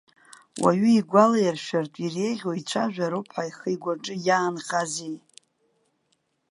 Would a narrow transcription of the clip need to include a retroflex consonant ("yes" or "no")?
yes